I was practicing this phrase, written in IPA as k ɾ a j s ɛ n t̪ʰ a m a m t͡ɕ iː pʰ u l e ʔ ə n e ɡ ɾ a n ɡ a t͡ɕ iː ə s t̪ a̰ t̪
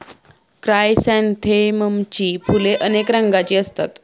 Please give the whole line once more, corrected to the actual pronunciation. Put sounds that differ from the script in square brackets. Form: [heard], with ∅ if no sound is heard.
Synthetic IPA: k ɾ a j s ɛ n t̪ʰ [e] m [ə] m t͡ɕ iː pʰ u l e ʔ ə n e [k] ɾ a [ŋ] ɡ a t͡ɕ iː ə s t̪ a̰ t̪